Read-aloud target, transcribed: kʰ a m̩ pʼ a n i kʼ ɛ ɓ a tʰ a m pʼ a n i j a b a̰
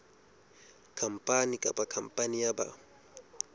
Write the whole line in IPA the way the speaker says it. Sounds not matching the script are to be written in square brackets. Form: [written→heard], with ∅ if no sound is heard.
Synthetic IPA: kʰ a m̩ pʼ a n i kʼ [ɛ→a] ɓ a [tʰ→kʰ] a m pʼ a n i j a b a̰

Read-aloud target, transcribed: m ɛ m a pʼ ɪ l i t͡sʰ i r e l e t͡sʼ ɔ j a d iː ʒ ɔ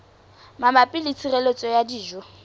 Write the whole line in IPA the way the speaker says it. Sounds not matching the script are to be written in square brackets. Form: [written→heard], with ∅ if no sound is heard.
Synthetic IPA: m [ɛ→a] m a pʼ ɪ l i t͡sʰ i r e l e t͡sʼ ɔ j a d iː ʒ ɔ

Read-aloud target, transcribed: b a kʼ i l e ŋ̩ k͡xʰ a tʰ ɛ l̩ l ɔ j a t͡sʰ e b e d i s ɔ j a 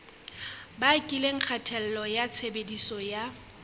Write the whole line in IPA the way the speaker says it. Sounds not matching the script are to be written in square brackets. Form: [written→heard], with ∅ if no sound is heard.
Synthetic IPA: b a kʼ i l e ŋ̩ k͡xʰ a tʰ ɛ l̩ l ɔ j a t͡sʰ e b e d i s ɔ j a

